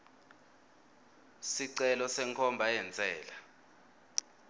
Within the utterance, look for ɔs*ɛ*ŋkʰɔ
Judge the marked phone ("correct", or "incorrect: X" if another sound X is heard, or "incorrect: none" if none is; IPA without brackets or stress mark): correct